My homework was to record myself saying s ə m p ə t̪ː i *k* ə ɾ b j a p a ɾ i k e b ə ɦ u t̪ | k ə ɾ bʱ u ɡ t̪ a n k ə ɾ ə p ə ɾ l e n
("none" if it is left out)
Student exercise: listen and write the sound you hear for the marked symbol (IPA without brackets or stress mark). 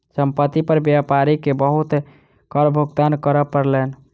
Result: p